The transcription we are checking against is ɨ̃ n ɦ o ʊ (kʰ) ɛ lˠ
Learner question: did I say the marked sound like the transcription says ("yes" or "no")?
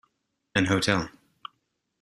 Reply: no